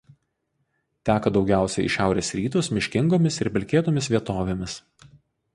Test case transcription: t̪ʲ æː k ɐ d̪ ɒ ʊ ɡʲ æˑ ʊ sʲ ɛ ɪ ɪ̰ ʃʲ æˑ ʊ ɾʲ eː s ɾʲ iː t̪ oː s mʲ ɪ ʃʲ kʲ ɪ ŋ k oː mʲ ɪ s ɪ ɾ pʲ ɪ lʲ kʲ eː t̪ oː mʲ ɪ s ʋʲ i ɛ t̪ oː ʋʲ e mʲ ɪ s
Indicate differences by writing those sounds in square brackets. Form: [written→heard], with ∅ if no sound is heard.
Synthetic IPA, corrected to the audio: t̪ʲ æː k ɐ d̪ ɒ ʊ ɡʲ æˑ ʊ sʲ ɛ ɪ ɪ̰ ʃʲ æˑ ʊ ɾʲ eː s ɾʲ iː t̪ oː s mʲ ɪ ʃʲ kʲ ɪ ŋ [k→ɡ] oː mʲ ɪ s ɪ ɾ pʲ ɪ lʲ kʲ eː t̪ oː mʲ ɪ s ʋʲ i ɛ t̪ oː ʋʲ e mʲ ɪ s